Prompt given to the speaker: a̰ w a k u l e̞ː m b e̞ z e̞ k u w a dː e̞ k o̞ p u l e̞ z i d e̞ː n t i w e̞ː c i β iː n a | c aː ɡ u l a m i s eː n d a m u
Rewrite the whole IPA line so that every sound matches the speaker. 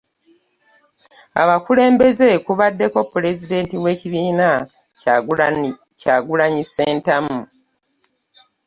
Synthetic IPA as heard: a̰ β a k u l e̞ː m b e̞ z e̞ k u β a dː e̞ k o̞ p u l e̞ z i d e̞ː n t i w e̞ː c i β iː n a | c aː ɡ u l a ɲ i s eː n t a m u